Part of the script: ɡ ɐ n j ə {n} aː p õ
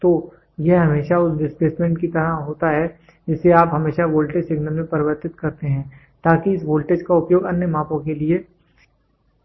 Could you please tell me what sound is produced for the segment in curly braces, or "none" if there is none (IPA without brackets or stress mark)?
m